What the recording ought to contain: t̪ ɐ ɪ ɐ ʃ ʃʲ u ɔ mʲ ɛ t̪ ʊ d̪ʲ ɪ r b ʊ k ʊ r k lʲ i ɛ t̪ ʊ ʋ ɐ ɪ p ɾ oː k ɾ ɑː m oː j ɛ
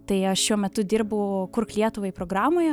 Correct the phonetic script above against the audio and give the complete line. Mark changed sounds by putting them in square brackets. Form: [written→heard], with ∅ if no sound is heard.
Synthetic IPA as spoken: t̪ ɐ ɪ ɐ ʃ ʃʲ u ɔ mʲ ɛ t̪ ʊ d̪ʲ ɪ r b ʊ k ʊ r k lʲ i ɛ t̪ ʊ ʋ ɐ ɪ p ɾ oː [k→ɡ] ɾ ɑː m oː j ɛ